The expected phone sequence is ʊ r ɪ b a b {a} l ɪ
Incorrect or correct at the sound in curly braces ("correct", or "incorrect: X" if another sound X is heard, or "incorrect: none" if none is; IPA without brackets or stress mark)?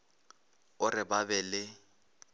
incorrect: ɛ